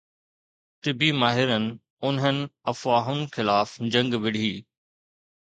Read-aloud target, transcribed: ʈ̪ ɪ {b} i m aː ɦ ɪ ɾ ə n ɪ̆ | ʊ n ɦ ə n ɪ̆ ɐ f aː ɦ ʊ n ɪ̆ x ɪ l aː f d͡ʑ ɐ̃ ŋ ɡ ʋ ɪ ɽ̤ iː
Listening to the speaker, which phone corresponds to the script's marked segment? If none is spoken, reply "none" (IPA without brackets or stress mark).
b